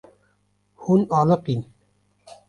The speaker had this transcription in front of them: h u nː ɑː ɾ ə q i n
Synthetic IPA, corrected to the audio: h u n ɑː l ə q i n